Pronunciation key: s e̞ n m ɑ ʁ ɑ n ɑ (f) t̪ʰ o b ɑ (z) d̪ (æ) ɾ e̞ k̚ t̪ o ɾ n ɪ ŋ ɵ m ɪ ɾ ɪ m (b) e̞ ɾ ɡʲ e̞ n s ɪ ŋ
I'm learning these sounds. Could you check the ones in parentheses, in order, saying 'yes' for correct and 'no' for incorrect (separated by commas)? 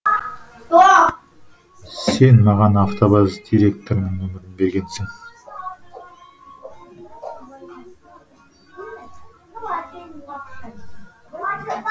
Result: yes, yes, no, yes